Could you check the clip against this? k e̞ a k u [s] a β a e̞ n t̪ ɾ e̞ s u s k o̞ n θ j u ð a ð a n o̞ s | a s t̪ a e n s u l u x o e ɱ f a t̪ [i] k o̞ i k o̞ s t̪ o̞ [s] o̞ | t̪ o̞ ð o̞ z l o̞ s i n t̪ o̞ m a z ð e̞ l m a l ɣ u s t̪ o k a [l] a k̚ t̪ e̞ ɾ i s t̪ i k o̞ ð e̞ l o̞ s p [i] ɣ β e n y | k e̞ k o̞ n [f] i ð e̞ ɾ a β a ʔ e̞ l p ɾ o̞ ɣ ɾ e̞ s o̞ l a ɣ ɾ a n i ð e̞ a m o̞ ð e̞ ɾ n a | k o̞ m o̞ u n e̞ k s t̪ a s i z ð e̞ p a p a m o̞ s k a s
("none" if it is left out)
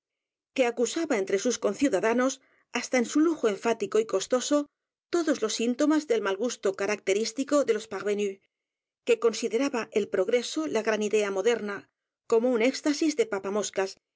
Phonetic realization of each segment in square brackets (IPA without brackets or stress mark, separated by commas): s, i, s, ɾ, a, s